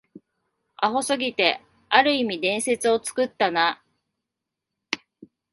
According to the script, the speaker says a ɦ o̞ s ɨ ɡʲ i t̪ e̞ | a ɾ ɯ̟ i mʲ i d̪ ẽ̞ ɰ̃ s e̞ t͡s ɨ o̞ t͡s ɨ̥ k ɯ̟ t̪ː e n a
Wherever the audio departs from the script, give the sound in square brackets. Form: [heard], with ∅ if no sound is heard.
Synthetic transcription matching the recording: a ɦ o̞ s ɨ ɡʲ i t̪ e̞ | a ɾ ɯ̟ i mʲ i d̪ ẽ̞ ɰ̃ s e̞ t͡s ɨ o̞ t͡s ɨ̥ k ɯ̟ t̪ː [a] n a